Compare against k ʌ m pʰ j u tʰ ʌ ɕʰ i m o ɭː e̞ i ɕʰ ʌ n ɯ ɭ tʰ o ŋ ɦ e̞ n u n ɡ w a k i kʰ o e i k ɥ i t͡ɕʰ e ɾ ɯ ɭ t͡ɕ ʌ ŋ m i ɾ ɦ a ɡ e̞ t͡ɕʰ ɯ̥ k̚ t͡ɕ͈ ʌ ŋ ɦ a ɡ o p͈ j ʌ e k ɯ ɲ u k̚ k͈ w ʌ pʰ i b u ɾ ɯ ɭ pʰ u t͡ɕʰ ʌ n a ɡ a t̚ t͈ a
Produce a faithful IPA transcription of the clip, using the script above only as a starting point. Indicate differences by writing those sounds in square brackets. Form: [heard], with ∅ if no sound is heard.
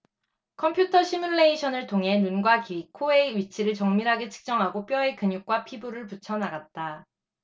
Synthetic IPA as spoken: [kʰ] ʌ m pʰ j u tʰ ʌ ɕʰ i m [u] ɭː e̞ i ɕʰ ʌ n ɯ ɭ tʰ o ŋ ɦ e̞ n u n ɡ w a k i kʰ o e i [∅] ɥ i t͡ɕʰ [i] ɾ ɯ ɭ t͡ɕ ʌ ŋ m i ɾ ɦ a ɡ e̞ t͡ɕʰ ɯ̥ k̚ t͡ɕ͈ ʌ ŋ ɦ a ɡ o p͈ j ʌ e k ɯ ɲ u k̚ k͈ w [a] pʰ i b u ɾ ɯ ɭ [p] u t͡ɕʰ ʌ n a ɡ a t̚ t͈ a

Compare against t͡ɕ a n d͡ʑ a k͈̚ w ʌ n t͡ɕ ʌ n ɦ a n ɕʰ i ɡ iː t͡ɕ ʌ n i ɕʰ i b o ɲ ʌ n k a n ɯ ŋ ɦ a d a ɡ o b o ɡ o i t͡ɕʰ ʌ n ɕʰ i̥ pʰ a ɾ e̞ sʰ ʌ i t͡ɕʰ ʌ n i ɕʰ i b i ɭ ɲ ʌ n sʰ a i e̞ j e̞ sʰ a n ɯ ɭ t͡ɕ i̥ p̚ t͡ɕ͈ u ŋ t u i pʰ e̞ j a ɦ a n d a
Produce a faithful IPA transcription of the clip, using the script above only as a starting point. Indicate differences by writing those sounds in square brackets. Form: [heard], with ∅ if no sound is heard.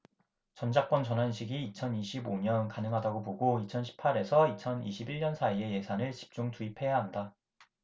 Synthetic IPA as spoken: t͡ɕ [ʌ] n d͡ʑ a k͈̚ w ʌ n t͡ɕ ʌ n ɦ a n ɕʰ i ɡ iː [t͡ɕʰ] ʌ n i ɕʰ i b o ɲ ʌ n k a n ɯ ŋ ɦ a d a ɡ o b o ɡ o i t͡ɕʰ ʌ n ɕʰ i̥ pʰ a ɾ e̞ sʰ ʌ i t͡ɕʰ ʌ n i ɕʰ i b i ɭ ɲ ʌ n sʰ a i e̞ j e̞ sʰ a n ɯ ɭ t͡ɕ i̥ p̚ t͡ɕ͈ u ŋ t u i pʰ e̞ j a ɦ a n d a

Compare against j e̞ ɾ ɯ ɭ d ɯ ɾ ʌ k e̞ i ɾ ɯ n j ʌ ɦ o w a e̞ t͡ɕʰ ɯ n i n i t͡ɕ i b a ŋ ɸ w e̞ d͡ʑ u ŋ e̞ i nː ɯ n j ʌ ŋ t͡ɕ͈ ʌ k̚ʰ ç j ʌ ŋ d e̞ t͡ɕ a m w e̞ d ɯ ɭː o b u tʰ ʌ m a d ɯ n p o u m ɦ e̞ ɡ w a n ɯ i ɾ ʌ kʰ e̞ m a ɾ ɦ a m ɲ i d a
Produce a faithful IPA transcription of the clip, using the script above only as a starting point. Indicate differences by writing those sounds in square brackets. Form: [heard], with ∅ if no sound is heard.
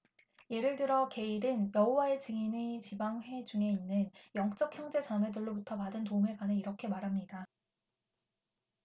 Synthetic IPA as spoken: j e̞ ɾ ɯ ɭ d ɯ ɾ ʌ k e̞ i ɾ ɯ n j ʌ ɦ o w a e̞ [t͡ɕ] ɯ [ŋ] i n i t͡ɕ i b a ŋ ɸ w e̞ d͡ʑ u ŋ e̞ i nː ɯ n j ʌ ŋ t͡ɕ͈ ʌ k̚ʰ ç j ʌ ŋ [d͡ʑ] e̞ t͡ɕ a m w e̞ d ɯ ɭː o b u tʰ ʌ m a d ɯ n [t] o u m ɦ e̞ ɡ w a n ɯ i ɾ ʌ kʰ e̞ m a ɾ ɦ a m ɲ i d a

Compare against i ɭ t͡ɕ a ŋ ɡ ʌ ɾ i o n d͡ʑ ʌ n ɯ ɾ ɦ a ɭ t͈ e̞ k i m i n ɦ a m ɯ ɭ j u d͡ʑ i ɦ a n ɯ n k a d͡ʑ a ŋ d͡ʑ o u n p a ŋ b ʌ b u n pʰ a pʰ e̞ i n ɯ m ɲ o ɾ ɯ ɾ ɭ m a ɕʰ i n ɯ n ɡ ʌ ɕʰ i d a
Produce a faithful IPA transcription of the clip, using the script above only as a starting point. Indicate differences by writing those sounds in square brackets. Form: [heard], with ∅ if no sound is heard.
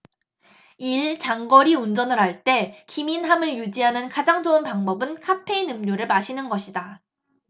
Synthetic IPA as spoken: i ɭ t͡ɕ a ŋ ɡ ʌ ɾ i [u] n d͡ʑ ʌ n ɯ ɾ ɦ a ɭ t͈ e̞ k i m i n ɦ a m ɯ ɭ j u d͡ʑ i ɦ a n ɯ n k a d͡ʑ a ŋ d͡ʑ o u n p a ŋ b ʌ b [ɯ] n [kʰ] a pʰ e̞ i n ɯ m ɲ o ɾ ɯ [∅] ɭ m a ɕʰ i n ɯ n ɡ ʌ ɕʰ i d a

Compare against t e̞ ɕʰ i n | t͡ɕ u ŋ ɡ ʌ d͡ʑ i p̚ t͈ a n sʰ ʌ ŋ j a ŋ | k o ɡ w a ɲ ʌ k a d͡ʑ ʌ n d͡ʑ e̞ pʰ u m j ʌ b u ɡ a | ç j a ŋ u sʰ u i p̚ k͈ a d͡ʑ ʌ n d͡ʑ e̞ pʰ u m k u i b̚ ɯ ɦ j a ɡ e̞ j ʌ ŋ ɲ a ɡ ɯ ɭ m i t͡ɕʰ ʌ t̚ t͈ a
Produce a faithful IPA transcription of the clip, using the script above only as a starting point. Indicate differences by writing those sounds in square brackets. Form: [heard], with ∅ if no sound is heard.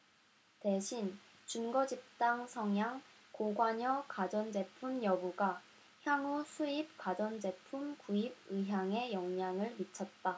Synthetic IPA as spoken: t e̞ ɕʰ i n | t͡ɕ u [n] ɡ ʌ d͡ʑ i p̚ t͈ a [ŋ] sʰ ʌ ŋ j a ŋ | k o ɡ w a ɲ ʌ k a d͡ʑ ʌ n d͡ʑ e̞ pʰ u m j ʌ b u ɡ a | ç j a ŋ u sʰ u i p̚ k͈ a d͡ʑ ʌ n d͡ʑ e̞ pʰ u m k u i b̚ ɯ ɦ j a [ŋ] e̞ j ʌ ŋ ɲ a [ŋ] ɯ ɭ m i t͡ɕʰ ʌ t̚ t͈ a

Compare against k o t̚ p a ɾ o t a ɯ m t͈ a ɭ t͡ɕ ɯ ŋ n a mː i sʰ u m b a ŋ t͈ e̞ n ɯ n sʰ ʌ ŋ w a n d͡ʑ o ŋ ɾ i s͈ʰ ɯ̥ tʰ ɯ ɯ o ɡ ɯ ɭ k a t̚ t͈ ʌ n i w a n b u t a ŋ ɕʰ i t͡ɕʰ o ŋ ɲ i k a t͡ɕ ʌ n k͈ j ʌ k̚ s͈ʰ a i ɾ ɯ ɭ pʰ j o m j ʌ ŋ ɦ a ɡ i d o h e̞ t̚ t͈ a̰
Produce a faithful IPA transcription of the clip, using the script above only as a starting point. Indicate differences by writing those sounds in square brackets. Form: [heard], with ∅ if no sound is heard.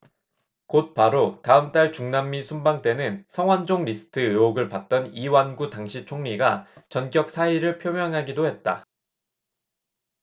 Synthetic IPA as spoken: k o t̚ p a ɾ o t a ɯ m t͈ a ɭ t͡ɕ [u] ŋ n a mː i sʰ u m b a ŋ t͈ e̞ n ɯ n sʰ ʌ ŋ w a n d͡ʑ o ŋ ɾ i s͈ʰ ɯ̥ tʰ ɯ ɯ o ɡ ɯ ɭ [p] a t̚ t͈ ʌ n i w a n [ɡ] u t a ŋ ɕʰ i t͡ɕʰ o ŋ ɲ i [ɡ] a t͡ɕ ʌ n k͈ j ʌ k̚ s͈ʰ a i ɾ ɯ ɭ pʰ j o m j ʌ ŋ ɦ a ɡ i d o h e̞ t̚ t͈ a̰

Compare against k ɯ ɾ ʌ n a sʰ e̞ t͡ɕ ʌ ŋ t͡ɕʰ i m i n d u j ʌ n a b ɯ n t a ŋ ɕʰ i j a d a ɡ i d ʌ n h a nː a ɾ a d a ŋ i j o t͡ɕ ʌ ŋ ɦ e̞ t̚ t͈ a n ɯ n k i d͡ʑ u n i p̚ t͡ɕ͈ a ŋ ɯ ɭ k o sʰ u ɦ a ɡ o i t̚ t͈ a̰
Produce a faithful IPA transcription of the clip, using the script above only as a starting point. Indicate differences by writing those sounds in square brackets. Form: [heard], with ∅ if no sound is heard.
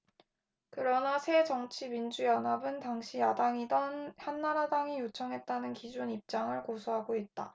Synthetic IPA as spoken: k ɯ ɾ ʌ n a sʰ e̞ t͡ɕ ʌ ŋ t͡ɕʰ i m i n [d͡ʑ] u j ʌ n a b ɯ n t a ŋ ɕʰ i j a d a [ŋ] i d ʌ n h a nː a ɾ a d a ŋ i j o [t͡ɕʰ] ʌ ŋ ɦ e̞ t̚ t͈ a n ɯ n k i d͡ʑ u n i p̚ t͡ɕ͈ a ŋ ɯ ɭ k o sʰ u ɦ a ɡ o i t̚ t͈ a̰

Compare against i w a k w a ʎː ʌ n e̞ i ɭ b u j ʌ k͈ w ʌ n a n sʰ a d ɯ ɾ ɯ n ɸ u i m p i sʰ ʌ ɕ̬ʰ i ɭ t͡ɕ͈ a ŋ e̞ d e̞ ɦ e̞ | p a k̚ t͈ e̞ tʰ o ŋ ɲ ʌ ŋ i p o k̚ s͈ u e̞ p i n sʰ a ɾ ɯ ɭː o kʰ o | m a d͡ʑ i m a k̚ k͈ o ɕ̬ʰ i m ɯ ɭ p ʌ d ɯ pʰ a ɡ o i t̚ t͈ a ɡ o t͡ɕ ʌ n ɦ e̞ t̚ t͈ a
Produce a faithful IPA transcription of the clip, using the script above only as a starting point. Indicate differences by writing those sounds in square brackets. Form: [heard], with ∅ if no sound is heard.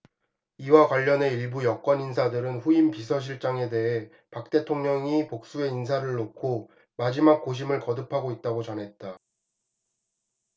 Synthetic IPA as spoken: i w a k w a ʎː ʌ n e̞ i ɭ b u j ʌ k͈ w ʌ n [i] n sʰ a d ɯ ɾ ɯ n ɸ u i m p i sʰ ʌ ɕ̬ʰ i ɭ t͡ɕ͈ a ŋ e̞ d e̞ ɦ e̞ | p a k̚ t͈ e̞ tʰ o ŋ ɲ ʌ ŋ i p o k̚ s͈ u e̞ [∅] i n sʰ a ɾ ɯ ɭː o kʰ o | m a d͡ʑ i m a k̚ k͈ o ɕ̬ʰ i m ɯ ɭ [k] ʌ d ɯ pʰ a ɡ o i t̚ t͈ a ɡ o t͡ɕ ʌ n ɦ e̞ t̚ t͈ a

